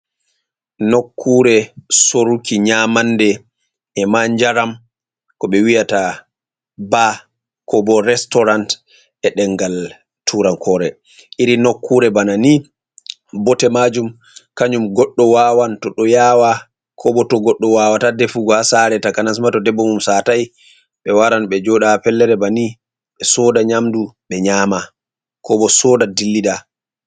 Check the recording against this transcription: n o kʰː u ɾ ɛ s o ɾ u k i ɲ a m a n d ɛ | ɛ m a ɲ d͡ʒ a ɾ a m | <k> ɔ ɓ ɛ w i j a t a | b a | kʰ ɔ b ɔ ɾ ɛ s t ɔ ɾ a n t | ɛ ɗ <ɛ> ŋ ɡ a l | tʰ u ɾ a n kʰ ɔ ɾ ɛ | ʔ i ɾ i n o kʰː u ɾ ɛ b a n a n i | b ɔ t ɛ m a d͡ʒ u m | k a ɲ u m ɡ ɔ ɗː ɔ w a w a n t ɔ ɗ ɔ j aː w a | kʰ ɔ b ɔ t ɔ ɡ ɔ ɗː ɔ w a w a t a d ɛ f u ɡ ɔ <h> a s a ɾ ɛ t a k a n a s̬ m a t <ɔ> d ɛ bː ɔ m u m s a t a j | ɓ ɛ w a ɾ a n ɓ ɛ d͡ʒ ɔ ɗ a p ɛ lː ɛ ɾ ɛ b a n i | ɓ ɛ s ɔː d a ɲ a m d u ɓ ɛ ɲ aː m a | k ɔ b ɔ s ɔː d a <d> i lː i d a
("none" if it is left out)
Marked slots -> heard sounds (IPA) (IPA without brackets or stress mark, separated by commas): k, ɛ, h, ɔ, d